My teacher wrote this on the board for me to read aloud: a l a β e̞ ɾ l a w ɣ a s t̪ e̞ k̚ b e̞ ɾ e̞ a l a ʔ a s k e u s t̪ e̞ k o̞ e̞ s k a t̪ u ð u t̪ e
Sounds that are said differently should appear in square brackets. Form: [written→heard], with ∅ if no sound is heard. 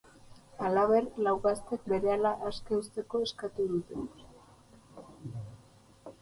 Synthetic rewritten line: a l a β e̞ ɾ l a w ɣ a s t̪ e̞ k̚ b e̞ ɾ e̞ a l a ʔ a s k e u s t̪ e̞ k o̞ e̞ s k a t̪ u ð u t̪ e